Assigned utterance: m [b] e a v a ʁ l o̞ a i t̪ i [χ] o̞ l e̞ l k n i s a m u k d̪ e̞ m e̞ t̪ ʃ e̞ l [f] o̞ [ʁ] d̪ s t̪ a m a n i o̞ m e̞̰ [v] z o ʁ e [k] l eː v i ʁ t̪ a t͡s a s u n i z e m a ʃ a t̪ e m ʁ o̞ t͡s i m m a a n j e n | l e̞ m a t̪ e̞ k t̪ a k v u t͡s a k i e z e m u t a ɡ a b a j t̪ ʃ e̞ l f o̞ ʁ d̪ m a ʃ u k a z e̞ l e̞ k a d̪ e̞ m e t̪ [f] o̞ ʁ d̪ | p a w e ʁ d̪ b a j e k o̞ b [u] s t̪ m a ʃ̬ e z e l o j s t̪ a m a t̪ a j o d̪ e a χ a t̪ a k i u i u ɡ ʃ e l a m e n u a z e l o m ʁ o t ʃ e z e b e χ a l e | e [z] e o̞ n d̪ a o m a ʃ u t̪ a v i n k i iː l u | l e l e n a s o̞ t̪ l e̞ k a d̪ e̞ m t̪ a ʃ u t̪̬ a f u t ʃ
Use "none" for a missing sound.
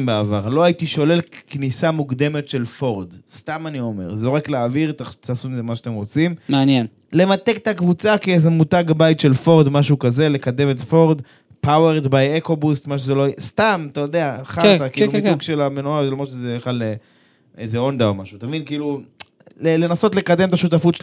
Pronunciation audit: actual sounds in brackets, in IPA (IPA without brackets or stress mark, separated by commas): b, ʃ, f, ʁ, ʁ, k, f, u, z